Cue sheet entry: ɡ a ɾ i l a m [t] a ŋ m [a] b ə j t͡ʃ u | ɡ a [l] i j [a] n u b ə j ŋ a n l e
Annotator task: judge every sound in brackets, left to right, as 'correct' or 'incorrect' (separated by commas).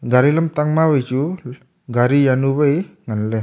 correct, correct, incorrect, correct